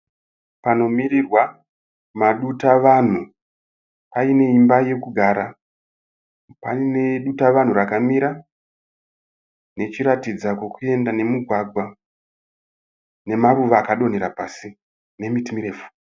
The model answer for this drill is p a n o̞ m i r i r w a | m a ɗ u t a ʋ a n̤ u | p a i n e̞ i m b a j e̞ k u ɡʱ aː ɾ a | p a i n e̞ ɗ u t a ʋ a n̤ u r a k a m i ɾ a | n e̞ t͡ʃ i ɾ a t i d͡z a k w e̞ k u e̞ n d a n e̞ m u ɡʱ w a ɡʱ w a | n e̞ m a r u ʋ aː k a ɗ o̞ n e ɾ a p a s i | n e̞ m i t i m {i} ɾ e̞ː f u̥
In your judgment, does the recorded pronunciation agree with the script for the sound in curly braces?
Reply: yes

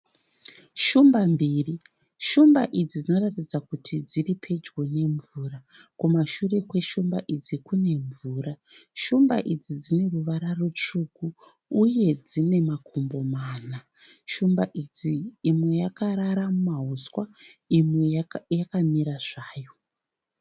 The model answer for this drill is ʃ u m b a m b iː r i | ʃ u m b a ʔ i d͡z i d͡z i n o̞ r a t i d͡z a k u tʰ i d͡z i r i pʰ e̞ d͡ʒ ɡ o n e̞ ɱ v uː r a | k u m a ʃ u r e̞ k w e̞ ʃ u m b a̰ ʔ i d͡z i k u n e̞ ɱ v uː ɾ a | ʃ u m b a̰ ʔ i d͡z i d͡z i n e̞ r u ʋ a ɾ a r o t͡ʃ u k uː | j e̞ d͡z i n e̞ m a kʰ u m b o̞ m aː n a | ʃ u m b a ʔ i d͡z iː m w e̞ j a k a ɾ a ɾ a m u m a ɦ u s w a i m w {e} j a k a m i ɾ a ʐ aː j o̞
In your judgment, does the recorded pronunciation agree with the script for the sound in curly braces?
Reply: yes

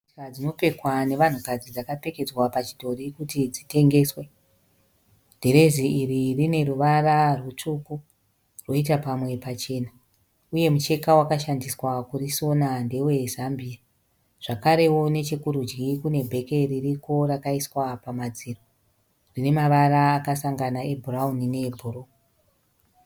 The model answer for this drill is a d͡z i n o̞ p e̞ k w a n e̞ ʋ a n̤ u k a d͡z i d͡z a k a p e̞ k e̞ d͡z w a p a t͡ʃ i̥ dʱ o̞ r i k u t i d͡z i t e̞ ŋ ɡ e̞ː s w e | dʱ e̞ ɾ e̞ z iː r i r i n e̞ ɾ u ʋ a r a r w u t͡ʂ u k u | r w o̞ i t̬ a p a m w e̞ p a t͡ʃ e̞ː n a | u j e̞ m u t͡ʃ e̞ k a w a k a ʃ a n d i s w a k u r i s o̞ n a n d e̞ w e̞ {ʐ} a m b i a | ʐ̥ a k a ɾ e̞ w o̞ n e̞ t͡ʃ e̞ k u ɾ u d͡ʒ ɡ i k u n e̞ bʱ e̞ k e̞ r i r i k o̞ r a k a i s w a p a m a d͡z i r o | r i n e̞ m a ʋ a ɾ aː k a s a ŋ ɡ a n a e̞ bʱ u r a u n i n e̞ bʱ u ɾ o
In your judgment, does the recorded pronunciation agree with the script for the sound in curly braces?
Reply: no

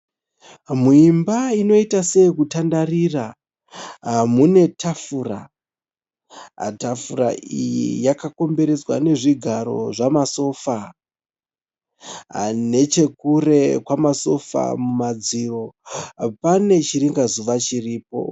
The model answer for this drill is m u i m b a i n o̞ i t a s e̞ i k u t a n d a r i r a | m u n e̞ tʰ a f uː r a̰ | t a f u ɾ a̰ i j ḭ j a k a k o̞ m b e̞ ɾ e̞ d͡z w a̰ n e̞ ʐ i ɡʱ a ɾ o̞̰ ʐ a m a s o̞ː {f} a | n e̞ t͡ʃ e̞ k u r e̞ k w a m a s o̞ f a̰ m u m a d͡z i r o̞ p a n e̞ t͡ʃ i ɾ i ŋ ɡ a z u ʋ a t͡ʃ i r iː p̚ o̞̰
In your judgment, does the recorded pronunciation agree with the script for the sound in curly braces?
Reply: yes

